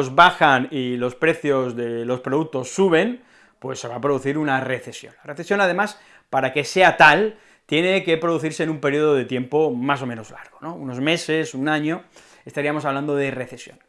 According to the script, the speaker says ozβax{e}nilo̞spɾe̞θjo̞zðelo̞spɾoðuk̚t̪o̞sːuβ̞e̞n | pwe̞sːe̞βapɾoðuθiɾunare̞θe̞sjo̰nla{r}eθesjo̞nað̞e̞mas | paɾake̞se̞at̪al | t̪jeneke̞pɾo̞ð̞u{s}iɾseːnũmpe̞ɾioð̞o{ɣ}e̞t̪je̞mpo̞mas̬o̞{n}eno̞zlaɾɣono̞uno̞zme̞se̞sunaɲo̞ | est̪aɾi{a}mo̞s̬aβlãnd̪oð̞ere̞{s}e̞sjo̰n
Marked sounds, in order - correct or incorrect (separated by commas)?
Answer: incorrect, correct, incorrect, incorrect, incorrect, correct, incorrect